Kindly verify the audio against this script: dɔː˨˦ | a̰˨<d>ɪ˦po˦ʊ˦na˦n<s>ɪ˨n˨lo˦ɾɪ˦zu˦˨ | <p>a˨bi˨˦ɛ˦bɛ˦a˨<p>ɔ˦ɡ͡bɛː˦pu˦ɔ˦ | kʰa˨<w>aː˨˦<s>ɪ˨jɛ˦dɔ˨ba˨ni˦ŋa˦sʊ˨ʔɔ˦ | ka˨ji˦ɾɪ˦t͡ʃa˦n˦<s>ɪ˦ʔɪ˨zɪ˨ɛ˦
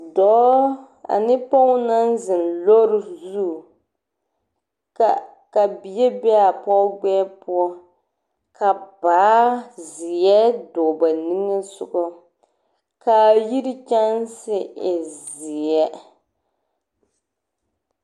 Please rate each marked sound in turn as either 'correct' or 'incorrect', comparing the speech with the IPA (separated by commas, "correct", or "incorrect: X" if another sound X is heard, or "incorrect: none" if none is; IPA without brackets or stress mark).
incorrect: n, incorrect: z, incorrect: k, correct, incorrect: b, incorrect: z, correct